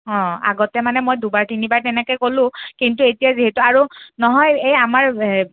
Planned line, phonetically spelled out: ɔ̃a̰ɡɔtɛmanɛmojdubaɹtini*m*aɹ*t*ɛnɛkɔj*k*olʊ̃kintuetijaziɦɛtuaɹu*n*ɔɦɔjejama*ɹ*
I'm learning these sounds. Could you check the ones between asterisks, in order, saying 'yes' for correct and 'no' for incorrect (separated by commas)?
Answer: no, yes, yes, yes, yes